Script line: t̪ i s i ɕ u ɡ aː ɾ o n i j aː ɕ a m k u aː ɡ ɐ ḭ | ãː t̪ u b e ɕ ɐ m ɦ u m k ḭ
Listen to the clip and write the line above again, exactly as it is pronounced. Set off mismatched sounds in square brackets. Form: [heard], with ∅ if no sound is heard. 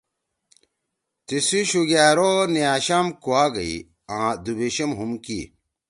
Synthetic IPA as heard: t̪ i s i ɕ u ɡ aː ɾ o n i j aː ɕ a m k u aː ɡ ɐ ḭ | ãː [d̪] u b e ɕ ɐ m ɦ u m k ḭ